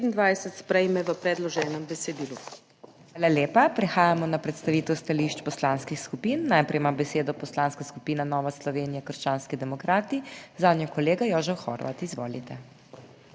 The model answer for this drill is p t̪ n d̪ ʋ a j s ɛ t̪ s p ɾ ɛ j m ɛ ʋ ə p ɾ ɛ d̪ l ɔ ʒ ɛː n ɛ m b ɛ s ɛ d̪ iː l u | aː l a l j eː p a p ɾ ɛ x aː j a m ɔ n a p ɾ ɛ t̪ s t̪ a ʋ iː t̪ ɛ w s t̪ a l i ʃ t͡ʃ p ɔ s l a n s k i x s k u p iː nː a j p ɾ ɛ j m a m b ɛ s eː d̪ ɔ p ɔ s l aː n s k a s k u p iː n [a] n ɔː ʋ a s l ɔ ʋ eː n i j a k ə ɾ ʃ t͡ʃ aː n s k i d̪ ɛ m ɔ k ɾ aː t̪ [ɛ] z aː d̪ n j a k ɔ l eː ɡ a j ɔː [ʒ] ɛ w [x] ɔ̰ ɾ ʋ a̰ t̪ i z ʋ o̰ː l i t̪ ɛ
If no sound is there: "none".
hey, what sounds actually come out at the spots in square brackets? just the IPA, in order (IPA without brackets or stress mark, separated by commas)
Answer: a, i, ʒ, x